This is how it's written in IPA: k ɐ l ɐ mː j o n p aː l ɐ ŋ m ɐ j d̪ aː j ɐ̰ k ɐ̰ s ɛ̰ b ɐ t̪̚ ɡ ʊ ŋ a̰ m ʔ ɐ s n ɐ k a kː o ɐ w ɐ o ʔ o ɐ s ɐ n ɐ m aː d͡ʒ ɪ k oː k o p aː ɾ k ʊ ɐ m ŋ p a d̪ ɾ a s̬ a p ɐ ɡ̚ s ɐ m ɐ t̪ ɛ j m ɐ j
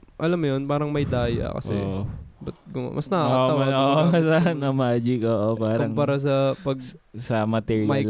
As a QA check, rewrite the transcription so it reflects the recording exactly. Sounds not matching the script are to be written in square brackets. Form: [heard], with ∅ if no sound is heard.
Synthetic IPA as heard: [ʔ] ɐ l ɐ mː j o n p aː [ɾ] ɐ ŋ m ɐ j d̪ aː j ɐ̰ k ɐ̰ s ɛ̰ b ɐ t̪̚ ɡ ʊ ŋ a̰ m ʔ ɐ s n ɐ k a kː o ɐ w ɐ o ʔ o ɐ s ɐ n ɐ m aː d͡ʒ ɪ k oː [ʔ] o p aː ɾ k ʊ ɐ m ŋ p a [∅] ɾ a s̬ [ɐ] p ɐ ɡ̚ s ɐ m ɐ t̪ ɛ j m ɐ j